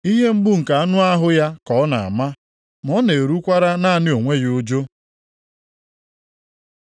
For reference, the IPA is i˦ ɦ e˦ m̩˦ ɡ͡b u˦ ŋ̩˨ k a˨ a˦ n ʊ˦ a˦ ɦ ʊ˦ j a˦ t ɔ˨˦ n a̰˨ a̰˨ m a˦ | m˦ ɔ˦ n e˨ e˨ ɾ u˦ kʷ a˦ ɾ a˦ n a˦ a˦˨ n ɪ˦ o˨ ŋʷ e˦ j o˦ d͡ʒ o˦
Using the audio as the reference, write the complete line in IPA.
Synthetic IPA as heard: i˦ ɦ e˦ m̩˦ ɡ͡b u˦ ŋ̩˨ k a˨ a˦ n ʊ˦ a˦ ɦ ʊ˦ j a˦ k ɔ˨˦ n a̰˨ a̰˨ m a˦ | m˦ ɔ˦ n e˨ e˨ ɾ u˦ kʷ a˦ ɾ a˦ n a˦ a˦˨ n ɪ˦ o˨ ŋʷ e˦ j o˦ d͡ʒ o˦